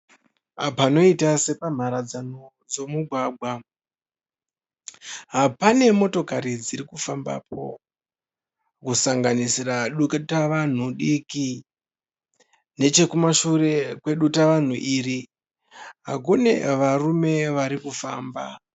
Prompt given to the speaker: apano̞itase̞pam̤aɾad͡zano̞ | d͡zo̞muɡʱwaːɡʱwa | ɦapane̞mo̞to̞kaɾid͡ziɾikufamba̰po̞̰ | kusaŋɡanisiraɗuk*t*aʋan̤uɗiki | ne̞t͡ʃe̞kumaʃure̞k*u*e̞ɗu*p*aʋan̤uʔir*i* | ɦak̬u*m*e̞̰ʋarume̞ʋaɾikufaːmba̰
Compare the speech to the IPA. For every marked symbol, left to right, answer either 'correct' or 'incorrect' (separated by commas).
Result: correct, incorrect, incorrect, correct, incorrect